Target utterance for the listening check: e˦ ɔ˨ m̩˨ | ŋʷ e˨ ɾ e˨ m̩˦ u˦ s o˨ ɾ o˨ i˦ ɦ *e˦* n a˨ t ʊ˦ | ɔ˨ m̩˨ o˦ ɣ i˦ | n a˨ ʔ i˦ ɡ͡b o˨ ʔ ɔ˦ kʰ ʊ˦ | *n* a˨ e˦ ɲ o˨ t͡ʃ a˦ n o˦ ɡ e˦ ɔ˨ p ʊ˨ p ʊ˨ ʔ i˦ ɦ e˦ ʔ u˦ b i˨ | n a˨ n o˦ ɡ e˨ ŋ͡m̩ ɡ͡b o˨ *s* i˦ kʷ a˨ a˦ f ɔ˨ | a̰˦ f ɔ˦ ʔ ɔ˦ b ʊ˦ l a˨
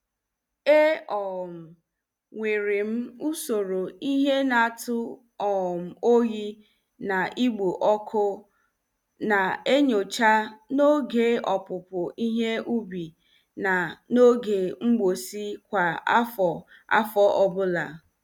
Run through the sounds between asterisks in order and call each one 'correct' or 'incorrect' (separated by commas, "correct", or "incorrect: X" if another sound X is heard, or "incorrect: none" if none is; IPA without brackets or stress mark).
correct, correct, correct